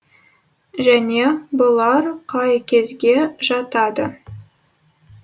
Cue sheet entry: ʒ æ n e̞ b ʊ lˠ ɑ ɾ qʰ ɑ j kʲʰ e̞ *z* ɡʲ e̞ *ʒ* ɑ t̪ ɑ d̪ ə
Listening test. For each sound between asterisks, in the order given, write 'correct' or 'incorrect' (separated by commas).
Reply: correct, correct